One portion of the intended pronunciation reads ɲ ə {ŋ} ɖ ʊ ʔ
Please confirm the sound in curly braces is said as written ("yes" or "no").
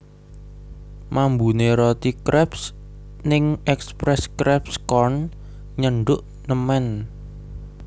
no